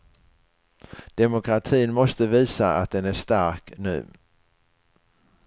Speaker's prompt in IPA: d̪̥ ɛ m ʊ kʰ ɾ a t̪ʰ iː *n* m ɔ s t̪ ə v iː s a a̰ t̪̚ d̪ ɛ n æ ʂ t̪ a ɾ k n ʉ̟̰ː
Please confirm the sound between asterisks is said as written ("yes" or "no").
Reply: yes